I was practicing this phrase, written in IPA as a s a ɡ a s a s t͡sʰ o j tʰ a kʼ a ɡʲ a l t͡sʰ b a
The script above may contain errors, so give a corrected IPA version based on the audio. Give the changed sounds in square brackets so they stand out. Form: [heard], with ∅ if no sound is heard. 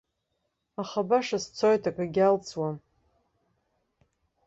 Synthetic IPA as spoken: a [χ] a [b] a [ʂ] a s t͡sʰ o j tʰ a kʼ a ɡʲ a l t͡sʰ [w] a